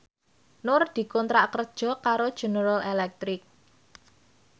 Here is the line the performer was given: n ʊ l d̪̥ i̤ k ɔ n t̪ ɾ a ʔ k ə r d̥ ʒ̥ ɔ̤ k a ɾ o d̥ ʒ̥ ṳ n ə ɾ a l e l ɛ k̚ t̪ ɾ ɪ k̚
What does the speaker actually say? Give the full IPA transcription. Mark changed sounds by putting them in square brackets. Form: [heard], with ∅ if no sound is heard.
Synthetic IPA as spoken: n ʊ [r] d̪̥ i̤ k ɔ n t̪ ɾ a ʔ k ə r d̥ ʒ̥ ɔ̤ k a ɾ o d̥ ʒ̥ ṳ n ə ɾ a l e l ɛ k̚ t̪ ɾ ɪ k̚

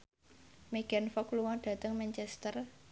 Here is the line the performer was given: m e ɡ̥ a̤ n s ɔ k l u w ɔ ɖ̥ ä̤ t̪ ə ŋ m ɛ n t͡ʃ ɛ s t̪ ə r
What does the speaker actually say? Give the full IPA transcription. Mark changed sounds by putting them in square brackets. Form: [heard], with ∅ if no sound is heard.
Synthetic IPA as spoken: m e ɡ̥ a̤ n [f] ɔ k l u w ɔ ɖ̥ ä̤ t̪ ə ŋ m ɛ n t͡ʃ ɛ s t̪ ə r

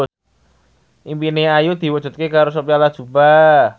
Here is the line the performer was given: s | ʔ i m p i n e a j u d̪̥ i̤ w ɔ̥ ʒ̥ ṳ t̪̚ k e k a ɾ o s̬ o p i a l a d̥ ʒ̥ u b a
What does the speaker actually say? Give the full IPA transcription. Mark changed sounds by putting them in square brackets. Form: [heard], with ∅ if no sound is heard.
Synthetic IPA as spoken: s | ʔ i m p i n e a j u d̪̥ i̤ w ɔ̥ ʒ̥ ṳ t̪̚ k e k a ɾ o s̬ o p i a l a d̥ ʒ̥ u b a

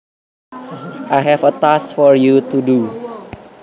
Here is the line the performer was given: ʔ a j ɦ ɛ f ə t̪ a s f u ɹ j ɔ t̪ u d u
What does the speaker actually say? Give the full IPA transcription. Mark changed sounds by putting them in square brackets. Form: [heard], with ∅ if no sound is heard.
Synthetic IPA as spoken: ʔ a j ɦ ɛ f ə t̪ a s f [ɔ] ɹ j [u] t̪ u d u

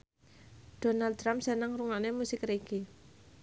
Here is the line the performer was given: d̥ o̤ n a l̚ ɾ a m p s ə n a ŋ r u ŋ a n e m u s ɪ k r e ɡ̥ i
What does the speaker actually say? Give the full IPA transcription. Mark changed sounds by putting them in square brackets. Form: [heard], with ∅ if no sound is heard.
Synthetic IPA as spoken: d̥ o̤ n a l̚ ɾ a m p s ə n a ŋ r u ŋ a n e m u s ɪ k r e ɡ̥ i

